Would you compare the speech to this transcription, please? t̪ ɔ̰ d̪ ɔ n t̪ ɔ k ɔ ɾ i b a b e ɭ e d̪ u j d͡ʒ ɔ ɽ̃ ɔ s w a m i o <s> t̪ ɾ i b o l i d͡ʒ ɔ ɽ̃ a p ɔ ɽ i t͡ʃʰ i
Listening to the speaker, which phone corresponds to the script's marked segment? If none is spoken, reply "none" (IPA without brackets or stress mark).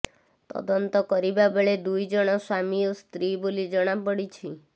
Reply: s